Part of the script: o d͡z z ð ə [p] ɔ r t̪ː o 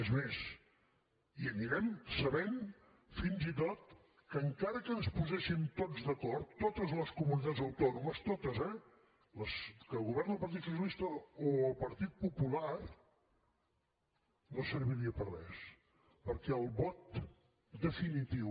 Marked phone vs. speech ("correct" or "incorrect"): incorrect